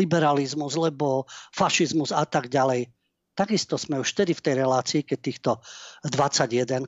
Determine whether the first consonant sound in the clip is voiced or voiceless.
voiced